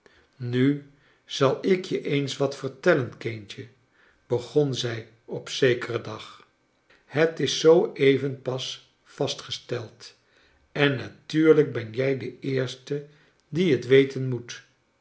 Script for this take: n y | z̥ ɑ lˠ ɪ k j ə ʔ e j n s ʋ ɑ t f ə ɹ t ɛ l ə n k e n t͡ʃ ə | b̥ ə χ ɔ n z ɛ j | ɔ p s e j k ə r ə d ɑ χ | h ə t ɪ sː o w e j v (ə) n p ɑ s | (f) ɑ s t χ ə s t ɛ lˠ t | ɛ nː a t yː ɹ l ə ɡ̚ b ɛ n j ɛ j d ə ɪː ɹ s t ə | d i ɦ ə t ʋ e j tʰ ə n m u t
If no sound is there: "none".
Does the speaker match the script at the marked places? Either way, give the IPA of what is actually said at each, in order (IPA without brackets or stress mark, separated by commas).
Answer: ə, f